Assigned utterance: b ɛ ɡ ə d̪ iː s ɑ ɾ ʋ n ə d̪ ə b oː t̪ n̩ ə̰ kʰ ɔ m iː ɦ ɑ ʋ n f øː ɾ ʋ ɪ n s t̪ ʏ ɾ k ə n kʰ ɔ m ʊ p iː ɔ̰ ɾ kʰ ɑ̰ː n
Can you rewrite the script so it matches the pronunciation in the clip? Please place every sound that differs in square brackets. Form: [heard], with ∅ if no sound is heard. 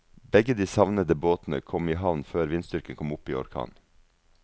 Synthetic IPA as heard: b ɛ ɡ ə d̪ iː s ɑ [∅] ʋ n ə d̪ ə b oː t̪ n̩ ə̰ kʰ ɔ m iː ɦ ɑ ʋ n f øː ɾ ʋ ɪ n s t̪ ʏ ɾ k ə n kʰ ɔ m ʊ p iː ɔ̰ ɾ kʰ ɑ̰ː n